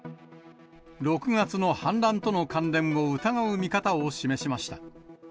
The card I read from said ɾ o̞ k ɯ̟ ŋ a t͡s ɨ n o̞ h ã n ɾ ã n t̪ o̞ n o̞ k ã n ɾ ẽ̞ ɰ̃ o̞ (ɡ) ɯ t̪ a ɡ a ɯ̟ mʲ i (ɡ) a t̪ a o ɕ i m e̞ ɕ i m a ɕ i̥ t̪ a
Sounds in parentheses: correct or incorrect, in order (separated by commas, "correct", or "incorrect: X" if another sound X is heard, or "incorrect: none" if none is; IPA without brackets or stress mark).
incorrect: none, incorrect: k